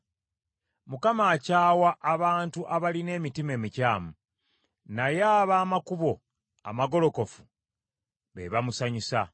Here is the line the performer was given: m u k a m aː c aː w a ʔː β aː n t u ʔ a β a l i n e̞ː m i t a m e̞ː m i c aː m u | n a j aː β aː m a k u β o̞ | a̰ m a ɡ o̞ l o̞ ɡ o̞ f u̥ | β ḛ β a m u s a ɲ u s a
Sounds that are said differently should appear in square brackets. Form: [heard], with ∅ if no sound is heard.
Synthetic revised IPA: m u k a m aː c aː w a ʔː β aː n t u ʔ a β a l i n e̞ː m i t [i] m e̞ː m i c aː m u | n a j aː β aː m a k u β o̞ | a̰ m a ɡ o̞ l o̞ [k] o̞ f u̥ | β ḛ β a m u s a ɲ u s a